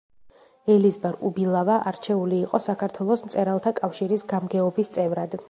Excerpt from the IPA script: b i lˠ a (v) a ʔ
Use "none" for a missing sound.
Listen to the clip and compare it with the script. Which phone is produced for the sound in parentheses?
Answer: v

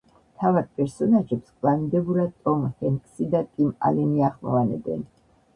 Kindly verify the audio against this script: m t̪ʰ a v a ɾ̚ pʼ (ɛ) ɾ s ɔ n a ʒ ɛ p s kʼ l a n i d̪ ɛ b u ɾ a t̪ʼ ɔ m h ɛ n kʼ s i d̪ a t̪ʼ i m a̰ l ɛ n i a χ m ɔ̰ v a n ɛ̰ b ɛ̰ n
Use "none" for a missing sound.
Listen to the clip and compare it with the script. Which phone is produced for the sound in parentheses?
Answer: ɛ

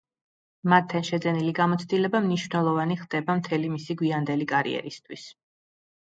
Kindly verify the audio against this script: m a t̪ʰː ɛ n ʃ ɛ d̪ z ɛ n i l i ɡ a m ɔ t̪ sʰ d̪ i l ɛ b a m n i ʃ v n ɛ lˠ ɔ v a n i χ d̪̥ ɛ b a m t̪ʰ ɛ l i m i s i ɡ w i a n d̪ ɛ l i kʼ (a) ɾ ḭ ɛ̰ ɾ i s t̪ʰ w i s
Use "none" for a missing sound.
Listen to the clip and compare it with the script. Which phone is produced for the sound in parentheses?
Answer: a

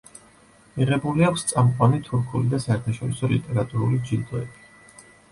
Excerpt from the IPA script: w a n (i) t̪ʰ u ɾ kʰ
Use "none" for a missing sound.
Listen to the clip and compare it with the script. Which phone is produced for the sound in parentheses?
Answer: i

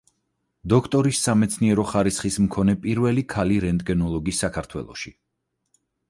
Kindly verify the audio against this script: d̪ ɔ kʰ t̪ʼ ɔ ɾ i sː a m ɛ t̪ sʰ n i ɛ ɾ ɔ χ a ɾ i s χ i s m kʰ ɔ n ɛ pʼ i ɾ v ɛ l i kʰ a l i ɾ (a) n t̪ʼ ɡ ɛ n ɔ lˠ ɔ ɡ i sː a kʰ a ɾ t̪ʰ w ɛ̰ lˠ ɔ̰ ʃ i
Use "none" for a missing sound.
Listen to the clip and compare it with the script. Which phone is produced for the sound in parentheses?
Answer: ɛ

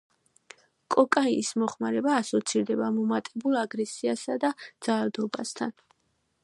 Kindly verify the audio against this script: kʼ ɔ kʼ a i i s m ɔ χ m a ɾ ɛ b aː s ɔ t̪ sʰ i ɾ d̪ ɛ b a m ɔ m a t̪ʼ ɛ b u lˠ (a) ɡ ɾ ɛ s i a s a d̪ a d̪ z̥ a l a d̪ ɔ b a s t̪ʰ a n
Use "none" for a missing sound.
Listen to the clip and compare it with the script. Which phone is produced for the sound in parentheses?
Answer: a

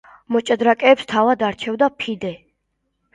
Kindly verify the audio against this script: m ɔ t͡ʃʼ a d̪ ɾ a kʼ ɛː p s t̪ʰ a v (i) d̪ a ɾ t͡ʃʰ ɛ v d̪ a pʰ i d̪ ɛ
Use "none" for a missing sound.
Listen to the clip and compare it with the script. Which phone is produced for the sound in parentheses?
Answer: a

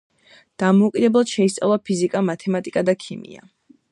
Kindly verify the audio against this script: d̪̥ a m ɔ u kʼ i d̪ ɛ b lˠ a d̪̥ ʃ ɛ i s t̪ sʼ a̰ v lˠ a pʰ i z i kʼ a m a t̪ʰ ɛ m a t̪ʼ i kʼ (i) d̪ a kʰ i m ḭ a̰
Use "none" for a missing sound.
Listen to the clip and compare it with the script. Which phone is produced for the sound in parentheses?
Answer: a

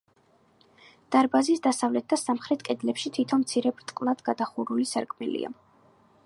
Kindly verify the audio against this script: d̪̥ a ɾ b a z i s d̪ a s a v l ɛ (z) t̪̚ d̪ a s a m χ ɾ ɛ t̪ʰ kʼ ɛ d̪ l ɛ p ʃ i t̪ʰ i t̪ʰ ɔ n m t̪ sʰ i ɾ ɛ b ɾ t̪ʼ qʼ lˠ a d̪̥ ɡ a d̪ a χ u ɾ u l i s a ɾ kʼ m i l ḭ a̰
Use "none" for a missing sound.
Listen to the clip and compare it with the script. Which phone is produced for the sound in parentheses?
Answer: none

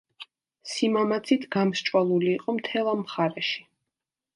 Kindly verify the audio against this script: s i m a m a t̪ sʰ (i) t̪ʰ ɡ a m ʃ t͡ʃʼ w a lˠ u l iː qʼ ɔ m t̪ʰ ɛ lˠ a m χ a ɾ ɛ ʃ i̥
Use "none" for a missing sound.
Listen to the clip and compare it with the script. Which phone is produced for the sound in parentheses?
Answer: i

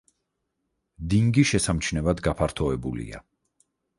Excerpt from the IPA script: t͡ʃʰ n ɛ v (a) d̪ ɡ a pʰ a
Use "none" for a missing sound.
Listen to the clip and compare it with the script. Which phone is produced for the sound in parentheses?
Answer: a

